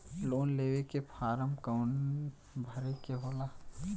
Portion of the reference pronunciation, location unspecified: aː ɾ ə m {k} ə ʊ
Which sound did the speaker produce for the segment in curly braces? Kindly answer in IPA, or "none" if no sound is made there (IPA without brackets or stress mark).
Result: k